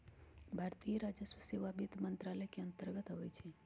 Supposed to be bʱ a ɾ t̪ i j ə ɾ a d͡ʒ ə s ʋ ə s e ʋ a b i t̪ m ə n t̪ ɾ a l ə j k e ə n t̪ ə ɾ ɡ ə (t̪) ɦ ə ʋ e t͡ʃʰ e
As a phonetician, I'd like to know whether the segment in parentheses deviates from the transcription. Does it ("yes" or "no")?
no